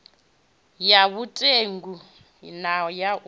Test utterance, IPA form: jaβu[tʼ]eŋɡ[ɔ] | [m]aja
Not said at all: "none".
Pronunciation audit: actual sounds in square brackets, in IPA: tʼ, u, n

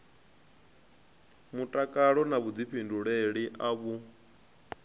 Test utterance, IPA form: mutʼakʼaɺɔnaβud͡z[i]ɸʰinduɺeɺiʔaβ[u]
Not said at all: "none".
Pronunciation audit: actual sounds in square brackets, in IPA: i, u

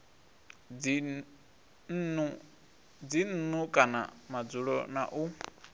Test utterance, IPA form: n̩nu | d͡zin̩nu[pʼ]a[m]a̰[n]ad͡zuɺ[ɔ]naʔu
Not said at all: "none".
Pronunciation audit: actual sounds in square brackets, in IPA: kʼ, n, m, ɔ

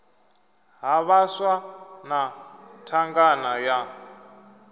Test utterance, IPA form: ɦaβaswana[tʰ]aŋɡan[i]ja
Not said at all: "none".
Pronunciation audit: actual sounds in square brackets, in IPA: tʰ, a

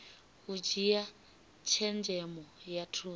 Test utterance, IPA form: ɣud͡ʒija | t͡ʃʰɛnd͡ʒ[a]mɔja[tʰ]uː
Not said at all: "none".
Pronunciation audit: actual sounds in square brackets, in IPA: ɛ, tʰ

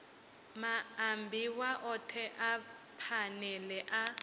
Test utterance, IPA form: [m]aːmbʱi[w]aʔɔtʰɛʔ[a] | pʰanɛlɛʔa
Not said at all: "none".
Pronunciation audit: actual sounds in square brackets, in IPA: m, w, a

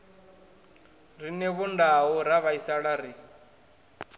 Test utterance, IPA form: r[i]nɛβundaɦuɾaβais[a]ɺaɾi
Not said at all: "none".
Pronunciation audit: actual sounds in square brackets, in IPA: i, a

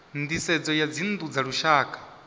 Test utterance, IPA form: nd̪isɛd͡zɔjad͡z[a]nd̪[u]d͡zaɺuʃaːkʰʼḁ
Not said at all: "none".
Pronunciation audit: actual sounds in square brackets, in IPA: i, u

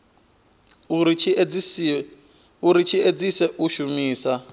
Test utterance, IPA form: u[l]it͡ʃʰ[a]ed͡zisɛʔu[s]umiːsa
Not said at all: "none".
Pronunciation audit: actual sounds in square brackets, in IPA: ɾ, i, ʃ

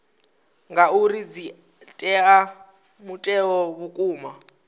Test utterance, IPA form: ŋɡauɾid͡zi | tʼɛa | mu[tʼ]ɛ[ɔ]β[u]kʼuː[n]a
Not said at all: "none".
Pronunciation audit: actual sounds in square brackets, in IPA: tʼ, ɔ, u, m

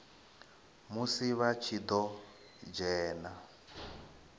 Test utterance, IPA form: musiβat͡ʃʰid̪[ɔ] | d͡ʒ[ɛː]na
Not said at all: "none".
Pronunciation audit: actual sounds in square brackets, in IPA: ɔ, ɛː

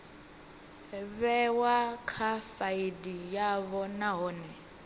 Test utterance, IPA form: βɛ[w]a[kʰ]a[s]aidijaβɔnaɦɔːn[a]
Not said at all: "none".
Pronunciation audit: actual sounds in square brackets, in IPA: w, kʰ, f, ɛ

